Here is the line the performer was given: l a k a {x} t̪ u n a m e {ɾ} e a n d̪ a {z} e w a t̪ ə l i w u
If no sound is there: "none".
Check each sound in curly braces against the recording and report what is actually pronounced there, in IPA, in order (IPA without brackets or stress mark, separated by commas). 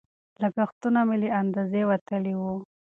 x, l, z